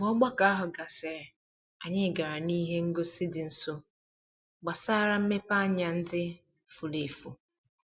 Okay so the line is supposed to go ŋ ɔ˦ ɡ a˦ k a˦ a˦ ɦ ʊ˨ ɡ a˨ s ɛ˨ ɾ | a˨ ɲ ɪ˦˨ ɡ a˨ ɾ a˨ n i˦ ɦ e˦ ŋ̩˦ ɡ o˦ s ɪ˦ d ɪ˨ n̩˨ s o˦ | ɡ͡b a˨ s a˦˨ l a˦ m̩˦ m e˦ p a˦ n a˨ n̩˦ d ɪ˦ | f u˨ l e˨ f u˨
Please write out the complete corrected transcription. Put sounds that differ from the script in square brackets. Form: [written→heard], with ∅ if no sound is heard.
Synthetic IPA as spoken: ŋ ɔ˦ [ɡ→ɡ͡b] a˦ k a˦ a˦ ɦ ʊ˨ ɡ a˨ s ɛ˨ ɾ | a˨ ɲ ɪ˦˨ ɡ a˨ ɾ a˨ n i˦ ɦ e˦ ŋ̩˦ ɡ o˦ s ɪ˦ d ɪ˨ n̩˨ s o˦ | ɡ͡b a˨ s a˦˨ [l→ɾ] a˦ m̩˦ m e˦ p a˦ [n→ɲ] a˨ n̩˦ d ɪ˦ | f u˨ l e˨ f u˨